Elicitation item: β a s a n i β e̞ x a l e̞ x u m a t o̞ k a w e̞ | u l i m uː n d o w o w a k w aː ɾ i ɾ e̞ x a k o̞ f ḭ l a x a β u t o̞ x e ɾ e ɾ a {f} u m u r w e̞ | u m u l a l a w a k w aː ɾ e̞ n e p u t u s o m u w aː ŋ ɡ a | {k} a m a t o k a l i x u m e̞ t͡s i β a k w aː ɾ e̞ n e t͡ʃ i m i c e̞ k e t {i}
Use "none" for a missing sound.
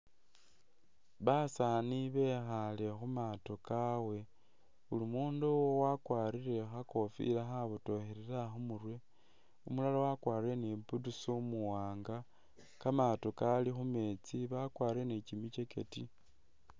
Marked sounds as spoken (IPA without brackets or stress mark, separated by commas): x, k, i